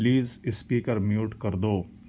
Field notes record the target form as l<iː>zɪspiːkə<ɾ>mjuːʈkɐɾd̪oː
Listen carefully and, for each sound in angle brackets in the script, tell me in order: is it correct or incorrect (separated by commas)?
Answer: correct, correct